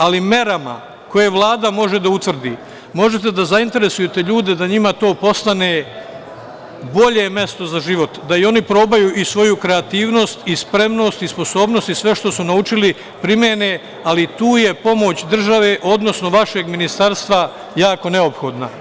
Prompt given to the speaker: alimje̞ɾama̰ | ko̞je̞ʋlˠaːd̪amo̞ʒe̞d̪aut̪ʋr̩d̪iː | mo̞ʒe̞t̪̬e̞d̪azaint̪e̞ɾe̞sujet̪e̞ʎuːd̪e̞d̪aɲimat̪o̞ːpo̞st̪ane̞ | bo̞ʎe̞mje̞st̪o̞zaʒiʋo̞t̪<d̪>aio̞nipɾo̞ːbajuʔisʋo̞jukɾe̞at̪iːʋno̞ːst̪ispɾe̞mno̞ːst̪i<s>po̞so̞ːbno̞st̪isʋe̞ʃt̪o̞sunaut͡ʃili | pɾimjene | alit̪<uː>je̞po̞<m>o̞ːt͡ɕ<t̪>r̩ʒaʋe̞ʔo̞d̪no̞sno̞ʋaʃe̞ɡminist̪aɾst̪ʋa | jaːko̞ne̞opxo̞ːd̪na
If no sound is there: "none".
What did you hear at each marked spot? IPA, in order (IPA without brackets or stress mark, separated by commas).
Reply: d̪, s, uː, m, d̪